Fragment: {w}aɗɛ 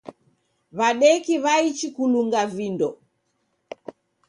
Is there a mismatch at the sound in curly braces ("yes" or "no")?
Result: yes